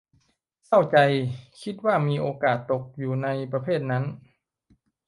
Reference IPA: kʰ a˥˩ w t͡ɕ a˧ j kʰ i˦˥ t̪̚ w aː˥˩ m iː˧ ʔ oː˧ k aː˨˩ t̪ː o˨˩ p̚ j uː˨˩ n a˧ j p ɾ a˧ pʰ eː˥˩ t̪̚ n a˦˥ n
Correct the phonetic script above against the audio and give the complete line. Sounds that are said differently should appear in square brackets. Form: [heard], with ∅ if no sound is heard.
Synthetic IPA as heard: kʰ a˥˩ w t͡ɕ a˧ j kʰ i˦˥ t̪̚ w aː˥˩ m iː˧ ʔ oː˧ k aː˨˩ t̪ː o˨˩ [k̚] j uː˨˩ n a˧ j p ɾ a˧ pʰ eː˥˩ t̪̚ n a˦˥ n